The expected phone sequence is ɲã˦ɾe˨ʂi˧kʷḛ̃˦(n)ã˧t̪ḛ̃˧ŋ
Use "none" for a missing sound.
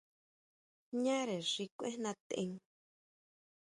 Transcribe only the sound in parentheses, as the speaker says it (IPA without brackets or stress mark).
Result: n